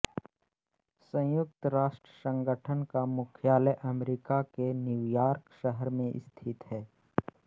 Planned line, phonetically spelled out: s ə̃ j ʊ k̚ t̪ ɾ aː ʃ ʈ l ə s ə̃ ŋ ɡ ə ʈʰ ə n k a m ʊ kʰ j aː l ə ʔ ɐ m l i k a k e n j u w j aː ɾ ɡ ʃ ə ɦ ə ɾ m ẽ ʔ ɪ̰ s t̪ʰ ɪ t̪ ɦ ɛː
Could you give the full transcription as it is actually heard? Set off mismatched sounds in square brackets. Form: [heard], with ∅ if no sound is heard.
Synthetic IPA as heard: s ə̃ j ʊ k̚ t̪ ɾ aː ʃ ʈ [ɾ] ə s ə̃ ŋ ɡ ə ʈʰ ə n k a m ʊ kʰ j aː l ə ʔ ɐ m [ɾ] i k a k e n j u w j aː ɾ [k] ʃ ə ɦ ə ɾ m ẽ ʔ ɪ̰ s t̪ʰ ɪ t̪ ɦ ɛː

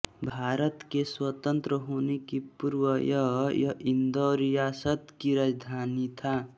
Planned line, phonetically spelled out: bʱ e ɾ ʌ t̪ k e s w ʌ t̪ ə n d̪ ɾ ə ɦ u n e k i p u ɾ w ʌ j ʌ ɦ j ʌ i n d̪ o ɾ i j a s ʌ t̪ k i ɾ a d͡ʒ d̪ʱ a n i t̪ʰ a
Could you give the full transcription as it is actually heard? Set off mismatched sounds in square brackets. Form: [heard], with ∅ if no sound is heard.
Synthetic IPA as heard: bʱ [a] ɾ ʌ t̪ k e s w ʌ t̪ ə n [t̪] ɾ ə ɦ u n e k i p u ɾ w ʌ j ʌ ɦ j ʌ i n d̪ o ɾ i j a s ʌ t̪ k i ɾ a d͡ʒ d̪ʱ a n i t̪ʰ a

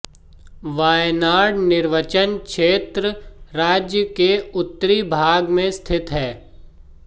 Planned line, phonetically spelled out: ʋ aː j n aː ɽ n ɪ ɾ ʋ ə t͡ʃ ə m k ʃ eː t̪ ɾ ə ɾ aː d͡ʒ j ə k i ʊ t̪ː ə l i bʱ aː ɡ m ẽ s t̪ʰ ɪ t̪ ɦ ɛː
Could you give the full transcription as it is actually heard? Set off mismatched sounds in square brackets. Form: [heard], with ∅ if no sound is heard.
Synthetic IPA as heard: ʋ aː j n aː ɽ n ɪ ɾ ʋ ə t͡ʃ ə [n] k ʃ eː t̪ ɾ ə ɾ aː d͡ʒ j ə k [e] ʊ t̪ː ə [ɾ] i bʱ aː ɡ m ẽ s t̪ʰ ɪ t̪ ɦ ɛː

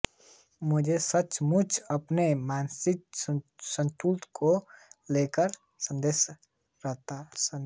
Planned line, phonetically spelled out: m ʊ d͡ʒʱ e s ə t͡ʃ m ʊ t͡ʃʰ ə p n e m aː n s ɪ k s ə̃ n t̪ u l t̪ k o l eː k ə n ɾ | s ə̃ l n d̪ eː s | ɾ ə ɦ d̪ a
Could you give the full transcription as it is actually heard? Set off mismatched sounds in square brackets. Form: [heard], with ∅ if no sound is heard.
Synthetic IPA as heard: m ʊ d͡ʒʱ e s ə t͡ʃ m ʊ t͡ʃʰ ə p n e m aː n s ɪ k s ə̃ n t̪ u l t̪ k o l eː k ə [∅] ɾ | s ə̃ [∅] n d̪ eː s | ɾ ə ɦ [t̪] a

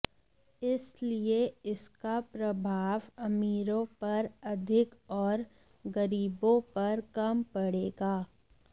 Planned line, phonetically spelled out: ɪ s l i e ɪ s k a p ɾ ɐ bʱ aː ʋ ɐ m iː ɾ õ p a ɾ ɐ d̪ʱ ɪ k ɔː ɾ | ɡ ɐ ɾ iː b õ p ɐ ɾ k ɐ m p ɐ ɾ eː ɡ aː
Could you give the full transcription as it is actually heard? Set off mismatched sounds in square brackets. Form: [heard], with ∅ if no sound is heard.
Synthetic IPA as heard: ɪ s l i e ɪ s k a p ɾ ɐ bʱ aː ʋ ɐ m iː ɾ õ p [ɐ] ɾ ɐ d̪ʱ ɪ k ɔː ɾ | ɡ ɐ ɾ iː b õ p ɐ ɾ k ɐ m p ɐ [ɽ] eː ɡ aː

